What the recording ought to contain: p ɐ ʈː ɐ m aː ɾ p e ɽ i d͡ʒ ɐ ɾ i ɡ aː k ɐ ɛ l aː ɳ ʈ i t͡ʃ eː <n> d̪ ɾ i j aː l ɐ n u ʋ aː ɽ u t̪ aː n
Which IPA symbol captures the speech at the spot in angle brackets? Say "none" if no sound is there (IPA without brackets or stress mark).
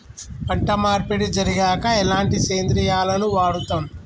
n